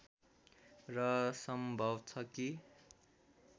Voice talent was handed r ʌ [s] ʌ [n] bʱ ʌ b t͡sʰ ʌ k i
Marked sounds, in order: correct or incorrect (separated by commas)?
correct, incorrect